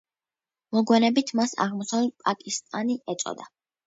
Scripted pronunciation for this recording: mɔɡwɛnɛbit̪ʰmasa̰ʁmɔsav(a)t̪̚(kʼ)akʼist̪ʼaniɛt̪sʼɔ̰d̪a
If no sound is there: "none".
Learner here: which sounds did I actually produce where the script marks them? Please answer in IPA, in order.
ɛ, pʼ

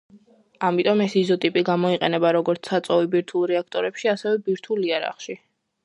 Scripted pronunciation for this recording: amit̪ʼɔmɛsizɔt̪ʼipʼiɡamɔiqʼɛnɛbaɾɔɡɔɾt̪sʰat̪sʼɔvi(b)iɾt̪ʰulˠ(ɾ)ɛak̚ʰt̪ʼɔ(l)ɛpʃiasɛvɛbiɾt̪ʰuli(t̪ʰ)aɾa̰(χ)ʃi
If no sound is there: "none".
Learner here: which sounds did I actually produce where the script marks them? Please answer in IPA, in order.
b, ɾ, ɾ, none, χ

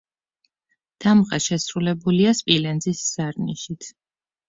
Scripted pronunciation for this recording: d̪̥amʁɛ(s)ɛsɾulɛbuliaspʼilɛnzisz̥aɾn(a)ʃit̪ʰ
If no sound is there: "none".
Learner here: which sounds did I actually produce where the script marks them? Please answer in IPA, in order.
ʃ, i

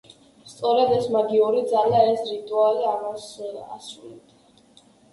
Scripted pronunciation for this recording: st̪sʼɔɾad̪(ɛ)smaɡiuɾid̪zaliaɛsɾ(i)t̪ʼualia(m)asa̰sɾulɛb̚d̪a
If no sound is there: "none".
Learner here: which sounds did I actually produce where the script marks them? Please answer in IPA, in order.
ɛ, i, m

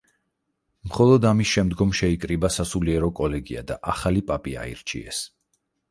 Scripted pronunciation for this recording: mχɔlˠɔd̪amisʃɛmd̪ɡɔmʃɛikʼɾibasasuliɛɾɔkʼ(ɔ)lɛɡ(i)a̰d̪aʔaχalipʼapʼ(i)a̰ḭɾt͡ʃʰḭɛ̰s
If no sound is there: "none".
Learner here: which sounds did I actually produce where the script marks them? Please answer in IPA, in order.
ɔ, i, i

